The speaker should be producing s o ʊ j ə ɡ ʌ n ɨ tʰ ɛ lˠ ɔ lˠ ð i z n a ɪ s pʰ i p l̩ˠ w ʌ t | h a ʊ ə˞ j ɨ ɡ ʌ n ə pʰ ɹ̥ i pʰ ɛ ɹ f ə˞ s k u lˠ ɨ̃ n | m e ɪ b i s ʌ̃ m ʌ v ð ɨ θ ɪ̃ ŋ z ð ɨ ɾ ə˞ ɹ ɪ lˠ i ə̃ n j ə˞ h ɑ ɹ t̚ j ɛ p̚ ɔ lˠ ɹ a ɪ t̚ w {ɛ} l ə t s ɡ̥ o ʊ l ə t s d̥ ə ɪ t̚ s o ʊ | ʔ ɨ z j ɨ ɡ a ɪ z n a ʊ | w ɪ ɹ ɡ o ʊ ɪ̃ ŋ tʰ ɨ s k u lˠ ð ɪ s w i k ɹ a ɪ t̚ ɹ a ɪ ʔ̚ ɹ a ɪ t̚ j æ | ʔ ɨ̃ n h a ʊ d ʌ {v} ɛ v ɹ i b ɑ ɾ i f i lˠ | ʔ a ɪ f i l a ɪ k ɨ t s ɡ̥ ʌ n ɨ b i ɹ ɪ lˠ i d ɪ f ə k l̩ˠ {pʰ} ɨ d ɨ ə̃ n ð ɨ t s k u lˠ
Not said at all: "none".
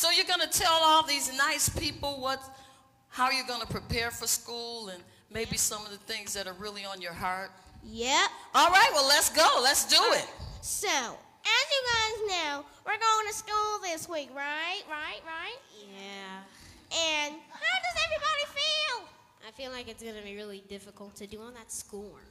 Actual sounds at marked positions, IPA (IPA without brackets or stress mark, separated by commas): ɛ, z, tʰ